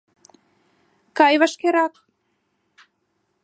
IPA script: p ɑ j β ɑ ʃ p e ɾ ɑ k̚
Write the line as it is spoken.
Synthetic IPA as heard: k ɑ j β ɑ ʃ k e ɾ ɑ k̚